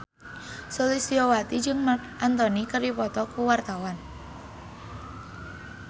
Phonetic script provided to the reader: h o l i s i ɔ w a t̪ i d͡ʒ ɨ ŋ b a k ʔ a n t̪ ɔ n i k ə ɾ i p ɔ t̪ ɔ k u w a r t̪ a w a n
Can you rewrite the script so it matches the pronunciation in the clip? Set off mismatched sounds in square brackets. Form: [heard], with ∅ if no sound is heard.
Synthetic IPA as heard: [s] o l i s i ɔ w a t̪ i d͡ʒ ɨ ŋ [m] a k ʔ a n t̪ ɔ n i k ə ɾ i p ɔ t̪ ɔ k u w a r t̪ a w a n